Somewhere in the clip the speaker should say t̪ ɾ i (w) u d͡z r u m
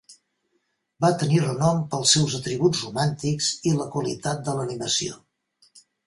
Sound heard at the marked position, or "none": β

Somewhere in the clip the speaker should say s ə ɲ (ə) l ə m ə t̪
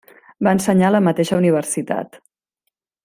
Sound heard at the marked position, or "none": a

